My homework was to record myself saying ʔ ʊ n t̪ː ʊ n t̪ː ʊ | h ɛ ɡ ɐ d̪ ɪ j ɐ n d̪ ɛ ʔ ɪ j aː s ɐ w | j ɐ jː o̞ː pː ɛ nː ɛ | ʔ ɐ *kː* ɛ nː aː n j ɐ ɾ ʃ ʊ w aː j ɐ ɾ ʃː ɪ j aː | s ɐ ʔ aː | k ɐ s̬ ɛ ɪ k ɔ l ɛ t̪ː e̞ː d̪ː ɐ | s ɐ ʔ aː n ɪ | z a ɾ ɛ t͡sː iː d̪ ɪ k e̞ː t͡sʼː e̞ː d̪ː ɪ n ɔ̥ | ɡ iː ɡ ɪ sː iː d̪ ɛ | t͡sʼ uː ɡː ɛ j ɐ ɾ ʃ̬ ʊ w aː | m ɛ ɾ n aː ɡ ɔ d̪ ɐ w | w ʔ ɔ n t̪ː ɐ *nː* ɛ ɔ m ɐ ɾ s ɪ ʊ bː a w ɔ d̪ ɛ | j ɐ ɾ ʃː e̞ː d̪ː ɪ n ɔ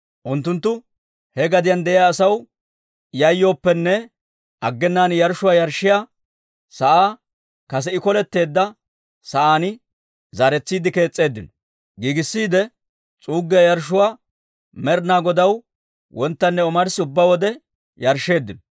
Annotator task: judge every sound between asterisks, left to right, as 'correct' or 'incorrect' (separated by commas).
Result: incorrect, correct